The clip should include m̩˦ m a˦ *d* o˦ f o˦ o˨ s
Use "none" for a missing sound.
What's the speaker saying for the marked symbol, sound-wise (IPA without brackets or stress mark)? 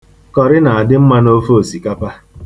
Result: n